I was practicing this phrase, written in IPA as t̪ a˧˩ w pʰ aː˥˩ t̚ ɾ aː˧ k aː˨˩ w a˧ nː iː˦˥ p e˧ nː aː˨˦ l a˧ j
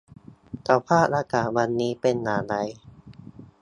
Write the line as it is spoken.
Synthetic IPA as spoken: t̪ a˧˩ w pʰ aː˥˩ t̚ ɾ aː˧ k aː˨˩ w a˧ nː iː˦˥ p e˧ nː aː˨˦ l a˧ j